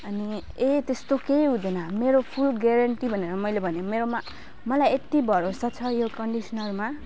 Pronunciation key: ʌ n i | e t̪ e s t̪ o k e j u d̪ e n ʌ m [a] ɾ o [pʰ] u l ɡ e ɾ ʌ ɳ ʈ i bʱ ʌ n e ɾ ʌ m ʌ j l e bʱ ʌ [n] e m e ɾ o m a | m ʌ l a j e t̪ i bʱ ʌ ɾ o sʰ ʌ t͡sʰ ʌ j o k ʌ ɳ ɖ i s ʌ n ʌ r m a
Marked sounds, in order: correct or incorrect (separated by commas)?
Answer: incorrect, correct, correct